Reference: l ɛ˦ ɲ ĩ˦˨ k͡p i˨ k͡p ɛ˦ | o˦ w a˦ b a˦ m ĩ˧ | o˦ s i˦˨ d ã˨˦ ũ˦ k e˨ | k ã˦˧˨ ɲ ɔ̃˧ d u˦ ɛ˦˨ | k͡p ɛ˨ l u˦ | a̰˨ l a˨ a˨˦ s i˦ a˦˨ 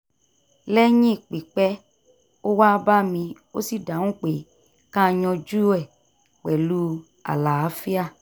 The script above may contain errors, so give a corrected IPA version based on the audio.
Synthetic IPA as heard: l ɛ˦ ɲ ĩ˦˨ k͡p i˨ k͡p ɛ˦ | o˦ w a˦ b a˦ m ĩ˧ | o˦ s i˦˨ d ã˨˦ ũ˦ k͡p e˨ | k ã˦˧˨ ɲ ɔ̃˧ d͡ʒ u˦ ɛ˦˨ | k͡p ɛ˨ l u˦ | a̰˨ l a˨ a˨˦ f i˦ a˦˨

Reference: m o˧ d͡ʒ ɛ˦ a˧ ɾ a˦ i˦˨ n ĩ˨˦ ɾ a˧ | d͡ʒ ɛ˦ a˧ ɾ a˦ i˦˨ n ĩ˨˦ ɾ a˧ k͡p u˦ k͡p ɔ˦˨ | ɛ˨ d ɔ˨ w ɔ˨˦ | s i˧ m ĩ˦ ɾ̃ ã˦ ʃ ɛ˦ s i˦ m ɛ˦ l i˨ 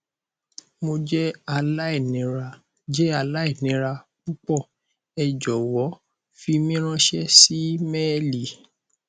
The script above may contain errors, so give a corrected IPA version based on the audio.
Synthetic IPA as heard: m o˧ d͡ʒ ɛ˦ a˧ l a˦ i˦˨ n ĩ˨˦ ɾ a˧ | d͡ʒ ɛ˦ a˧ l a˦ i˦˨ n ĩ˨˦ ɾ a˧ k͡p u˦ k͡p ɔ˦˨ | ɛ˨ d͡ʒ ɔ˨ w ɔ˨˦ | f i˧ m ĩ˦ ɾ̃ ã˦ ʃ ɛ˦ s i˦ m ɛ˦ l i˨

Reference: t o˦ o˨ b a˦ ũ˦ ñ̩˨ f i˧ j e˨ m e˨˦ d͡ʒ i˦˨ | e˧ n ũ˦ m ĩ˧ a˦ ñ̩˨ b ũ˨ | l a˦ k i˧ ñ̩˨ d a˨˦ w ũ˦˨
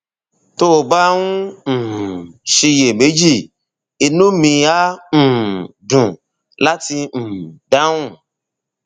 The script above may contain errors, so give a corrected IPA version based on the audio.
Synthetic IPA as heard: t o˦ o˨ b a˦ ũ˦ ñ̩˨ ʃ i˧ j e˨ m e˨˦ d͡ʒ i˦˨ | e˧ n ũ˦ m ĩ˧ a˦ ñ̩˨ d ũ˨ | l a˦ t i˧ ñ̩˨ d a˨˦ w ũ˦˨

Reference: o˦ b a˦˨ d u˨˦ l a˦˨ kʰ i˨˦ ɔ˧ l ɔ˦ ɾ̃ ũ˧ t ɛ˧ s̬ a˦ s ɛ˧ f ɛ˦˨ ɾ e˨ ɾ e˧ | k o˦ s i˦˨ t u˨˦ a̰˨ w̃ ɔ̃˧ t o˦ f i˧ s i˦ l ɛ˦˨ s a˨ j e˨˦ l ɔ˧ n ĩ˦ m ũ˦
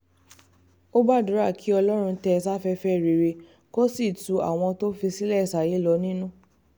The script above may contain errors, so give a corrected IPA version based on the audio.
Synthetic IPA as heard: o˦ b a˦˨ d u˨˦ ɾ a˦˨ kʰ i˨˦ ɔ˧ l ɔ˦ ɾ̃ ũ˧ t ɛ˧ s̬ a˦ f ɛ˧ f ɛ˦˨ ɾ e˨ ɾ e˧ | k o˦ s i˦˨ t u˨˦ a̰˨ w̃ ɔ̃˧ t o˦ f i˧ s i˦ l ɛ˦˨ s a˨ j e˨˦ l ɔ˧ n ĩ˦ n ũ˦

